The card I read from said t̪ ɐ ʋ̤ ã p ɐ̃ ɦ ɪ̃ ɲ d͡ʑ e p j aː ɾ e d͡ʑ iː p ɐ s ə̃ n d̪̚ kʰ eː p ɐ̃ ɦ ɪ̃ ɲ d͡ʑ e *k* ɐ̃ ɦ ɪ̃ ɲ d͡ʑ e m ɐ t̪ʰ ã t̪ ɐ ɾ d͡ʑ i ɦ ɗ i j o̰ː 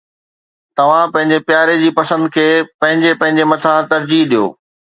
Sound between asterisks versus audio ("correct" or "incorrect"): incorrect